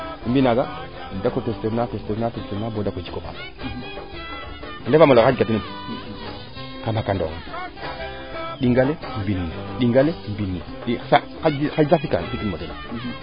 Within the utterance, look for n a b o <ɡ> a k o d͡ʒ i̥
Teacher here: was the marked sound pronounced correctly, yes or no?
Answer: no